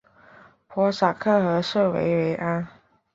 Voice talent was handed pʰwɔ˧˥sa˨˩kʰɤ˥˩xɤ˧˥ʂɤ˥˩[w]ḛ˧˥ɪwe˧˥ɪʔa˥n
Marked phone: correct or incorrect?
correct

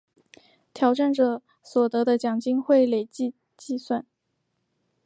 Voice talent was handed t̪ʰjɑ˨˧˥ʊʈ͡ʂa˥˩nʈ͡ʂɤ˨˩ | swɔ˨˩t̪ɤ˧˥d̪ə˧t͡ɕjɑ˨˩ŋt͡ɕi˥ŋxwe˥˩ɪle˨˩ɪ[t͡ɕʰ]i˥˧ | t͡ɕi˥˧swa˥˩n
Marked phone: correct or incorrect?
incorrect: t͡ɕ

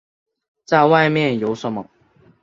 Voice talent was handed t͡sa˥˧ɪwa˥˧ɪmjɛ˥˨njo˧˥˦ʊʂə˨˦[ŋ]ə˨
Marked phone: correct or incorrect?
incorrect: m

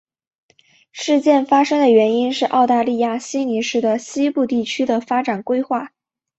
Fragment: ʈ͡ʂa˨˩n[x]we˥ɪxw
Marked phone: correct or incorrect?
incorrect: k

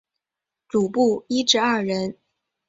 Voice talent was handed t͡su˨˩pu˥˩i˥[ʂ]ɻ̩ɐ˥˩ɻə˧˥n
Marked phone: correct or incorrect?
incorrect: ʈ͡ʂ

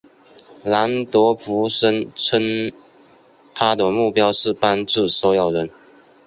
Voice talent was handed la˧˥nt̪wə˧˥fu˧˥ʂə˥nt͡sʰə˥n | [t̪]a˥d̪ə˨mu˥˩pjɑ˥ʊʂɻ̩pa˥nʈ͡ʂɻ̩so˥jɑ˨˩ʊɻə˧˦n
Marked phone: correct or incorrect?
incorrect: t̪ʰ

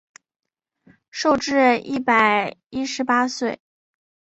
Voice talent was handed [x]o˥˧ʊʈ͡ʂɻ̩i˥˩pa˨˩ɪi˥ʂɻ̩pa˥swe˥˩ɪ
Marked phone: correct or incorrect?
incorrect: ʂ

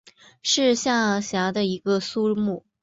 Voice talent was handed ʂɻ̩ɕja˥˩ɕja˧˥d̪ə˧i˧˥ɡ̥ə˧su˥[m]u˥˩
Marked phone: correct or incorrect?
correct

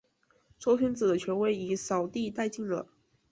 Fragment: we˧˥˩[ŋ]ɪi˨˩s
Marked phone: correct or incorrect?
incorrect: none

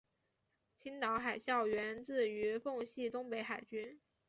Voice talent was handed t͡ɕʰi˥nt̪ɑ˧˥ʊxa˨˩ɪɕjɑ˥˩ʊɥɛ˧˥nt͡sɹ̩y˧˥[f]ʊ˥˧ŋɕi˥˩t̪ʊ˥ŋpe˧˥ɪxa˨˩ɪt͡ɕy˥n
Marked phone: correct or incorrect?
correct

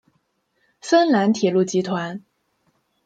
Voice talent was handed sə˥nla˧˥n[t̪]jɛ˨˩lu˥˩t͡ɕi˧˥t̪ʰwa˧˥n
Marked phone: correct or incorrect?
incorrect: t̪ʰ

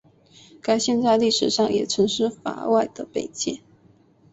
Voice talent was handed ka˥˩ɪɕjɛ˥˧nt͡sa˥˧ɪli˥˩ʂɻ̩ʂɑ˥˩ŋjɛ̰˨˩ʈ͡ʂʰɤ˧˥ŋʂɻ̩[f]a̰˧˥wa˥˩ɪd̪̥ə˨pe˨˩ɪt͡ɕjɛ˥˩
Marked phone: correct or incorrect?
correct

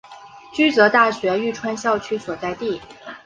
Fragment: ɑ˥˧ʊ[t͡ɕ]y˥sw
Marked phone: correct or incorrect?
incorrect: t͡ɕʰ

